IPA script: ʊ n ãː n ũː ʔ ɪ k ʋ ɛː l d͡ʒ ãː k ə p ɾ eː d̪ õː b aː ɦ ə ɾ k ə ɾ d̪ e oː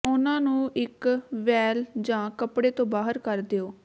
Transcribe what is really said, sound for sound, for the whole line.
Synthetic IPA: ʊ n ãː n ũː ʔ ɪ k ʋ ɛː l d͡ʒ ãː k ə p ɽ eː t̪ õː b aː ɦ ə ɾ k ə ɾ d̪ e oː